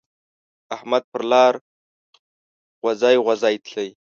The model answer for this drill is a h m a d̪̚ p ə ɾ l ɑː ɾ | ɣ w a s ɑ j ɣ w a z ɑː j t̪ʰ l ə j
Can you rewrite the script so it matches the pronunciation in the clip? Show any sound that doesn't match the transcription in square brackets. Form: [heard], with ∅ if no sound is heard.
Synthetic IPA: a h m a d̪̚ p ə ɾ l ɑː ɾ | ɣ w a [z] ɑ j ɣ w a z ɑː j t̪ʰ l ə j